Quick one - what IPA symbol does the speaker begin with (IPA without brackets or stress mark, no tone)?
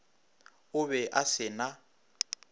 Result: ʊ